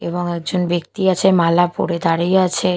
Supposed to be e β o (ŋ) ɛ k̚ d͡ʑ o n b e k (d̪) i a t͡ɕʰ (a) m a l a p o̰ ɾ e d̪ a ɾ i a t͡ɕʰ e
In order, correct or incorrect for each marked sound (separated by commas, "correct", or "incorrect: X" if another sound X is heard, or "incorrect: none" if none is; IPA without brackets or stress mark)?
correct, incorrect: t̪, incorrect: e